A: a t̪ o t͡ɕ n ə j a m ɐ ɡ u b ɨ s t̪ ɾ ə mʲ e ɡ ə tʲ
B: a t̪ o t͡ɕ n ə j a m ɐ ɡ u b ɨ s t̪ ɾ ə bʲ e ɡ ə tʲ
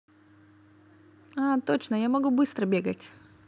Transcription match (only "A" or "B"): B